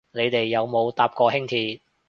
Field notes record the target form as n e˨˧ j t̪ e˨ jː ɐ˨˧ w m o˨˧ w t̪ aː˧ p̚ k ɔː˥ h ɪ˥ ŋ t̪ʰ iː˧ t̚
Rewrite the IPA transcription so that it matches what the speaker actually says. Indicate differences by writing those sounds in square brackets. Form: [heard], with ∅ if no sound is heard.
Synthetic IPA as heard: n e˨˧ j t̪ e˨ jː ɐ˨˧ w m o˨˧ w t̪ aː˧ p̚ k [ɔː˧] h ɪ˥ ŋ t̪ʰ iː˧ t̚

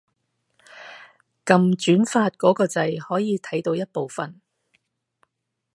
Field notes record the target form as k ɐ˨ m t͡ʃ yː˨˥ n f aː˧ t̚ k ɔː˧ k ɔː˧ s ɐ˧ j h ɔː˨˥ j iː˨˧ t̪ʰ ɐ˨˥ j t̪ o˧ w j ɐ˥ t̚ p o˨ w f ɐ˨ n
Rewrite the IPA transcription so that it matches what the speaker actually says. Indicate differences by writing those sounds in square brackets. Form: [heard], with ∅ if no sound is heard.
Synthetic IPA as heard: k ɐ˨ m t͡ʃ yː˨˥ n f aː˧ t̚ k [ɔː˨˥] k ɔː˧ [t͡s] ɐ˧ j h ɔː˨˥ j iː˨˧ t̪ʰ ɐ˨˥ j t̪ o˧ w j ɐ˥ t̚ p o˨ w f ɐ˨ n

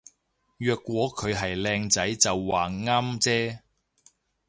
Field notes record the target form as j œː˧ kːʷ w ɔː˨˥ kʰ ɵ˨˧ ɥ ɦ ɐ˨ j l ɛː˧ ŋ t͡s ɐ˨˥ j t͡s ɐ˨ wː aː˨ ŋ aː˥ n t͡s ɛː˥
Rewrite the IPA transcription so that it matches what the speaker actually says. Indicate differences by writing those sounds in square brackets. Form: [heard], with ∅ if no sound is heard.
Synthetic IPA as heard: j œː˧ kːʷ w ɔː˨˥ kʰ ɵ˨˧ ɥ ɦ ɐ˨ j l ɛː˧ ŋ t͡s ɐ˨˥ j t͡s ɐ˨ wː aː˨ ŋ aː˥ [m] t͡s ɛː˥

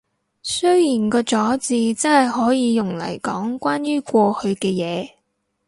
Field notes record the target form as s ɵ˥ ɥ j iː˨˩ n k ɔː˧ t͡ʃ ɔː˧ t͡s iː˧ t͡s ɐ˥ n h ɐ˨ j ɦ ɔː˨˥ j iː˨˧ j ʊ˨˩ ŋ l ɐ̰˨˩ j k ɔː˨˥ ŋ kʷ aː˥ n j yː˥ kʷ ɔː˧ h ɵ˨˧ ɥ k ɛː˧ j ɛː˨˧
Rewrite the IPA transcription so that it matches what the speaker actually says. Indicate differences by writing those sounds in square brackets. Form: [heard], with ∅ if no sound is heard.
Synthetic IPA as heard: s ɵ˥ ɥ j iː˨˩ n k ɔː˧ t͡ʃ [ɔː˨˥] t͡s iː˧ t͡s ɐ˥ n h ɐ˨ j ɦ ɔː˨˥ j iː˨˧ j ʊ˨˩ ŋ l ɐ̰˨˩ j k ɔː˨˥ ŋ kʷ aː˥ n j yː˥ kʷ ɔː˧ h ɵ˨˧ ɥ k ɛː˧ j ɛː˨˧

